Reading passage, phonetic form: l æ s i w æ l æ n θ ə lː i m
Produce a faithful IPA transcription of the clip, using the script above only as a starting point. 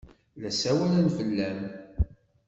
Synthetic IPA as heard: l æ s æ w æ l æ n f ə lː æ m